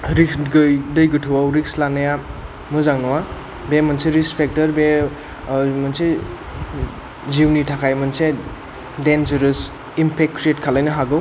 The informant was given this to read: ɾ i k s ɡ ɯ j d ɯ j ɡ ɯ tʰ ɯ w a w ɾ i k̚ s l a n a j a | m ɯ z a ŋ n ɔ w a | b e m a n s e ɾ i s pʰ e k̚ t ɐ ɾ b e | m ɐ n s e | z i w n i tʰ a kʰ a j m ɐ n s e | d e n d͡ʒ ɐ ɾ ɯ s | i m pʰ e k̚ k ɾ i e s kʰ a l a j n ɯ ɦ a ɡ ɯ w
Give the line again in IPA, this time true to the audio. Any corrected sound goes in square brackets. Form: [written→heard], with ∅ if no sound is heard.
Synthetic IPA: ɾ i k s ɡ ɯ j d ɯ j ɡ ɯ tʰ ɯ w a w ɾ i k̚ s l a n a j a | m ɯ z a ŋ n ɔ w a | b e m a n s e ɾ i s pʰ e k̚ t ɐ ɾ b e | m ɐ n s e | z i w n i tʰ a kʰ a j m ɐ n s e | d e n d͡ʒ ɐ ɾ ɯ s | i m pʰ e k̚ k ɾ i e [s→t] kʰ a l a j n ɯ ɦ a ɡ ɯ w